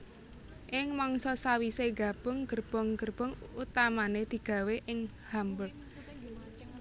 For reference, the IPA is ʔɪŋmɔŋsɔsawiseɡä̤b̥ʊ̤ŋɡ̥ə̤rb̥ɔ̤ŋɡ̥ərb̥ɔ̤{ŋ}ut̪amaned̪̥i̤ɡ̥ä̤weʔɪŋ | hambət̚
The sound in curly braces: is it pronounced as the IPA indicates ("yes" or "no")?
yes